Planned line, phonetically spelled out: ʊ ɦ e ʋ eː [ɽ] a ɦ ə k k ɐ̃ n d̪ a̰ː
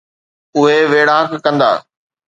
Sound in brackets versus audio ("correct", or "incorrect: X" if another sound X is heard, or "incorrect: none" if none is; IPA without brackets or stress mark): correct